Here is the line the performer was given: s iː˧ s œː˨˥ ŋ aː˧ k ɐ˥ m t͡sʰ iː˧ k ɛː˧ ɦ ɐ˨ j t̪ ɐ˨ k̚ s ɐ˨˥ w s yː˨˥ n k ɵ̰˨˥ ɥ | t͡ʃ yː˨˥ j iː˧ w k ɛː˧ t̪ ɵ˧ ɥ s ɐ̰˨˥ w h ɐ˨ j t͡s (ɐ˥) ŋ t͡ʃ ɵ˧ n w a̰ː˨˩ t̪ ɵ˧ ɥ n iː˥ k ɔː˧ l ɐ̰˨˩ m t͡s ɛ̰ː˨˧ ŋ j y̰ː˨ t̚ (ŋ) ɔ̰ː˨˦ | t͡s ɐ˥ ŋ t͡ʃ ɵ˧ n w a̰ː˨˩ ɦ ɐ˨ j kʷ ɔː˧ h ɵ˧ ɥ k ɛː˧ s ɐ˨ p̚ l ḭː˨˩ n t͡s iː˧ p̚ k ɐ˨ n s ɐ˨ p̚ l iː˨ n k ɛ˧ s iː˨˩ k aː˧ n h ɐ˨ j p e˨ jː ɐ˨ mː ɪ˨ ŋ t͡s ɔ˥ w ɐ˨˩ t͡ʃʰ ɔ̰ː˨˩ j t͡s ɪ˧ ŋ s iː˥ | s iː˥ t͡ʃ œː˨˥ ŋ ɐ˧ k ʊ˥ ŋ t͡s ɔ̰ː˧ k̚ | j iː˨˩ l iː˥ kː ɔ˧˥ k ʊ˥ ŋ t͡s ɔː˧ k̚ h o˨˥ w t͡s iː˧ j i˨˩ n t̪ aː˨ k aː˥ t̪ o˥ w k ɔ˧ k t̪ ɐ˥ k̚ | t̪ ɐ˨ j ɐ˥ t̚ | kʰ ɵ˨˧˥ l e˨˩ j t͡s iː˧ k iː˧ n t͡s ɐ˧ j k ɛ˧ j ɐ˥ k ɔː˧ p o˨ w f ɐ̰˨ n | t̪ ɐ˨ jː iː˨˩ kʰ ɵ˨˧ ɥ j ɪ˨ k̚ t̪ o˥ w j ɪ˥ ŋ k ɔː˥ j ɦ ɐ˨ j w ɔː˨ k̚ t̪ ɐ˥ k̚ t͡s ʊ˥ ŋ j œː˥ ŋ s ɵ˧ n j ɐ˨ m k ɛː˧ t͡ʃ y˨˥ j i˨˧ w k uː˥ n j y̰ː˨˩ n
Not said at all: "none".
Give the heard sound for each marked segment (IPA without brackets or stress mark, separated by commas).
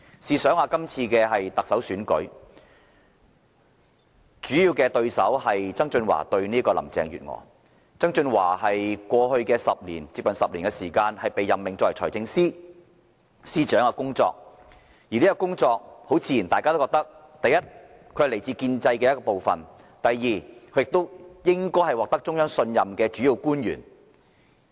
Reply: ɐ˥, ŋ